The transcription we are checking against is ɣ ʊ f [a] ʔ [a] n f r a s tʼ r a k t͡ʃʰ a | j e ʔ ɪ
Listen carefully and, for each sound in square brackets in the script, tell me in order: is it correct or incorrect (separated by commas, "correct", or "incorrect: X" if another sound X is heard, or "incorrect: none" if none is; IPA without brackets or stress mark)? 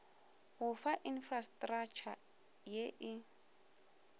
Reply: correct, incorrect: i